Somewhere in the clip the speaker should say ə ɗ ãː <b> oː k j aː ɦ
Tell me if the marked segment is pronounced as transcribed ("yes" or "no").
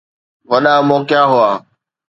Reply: no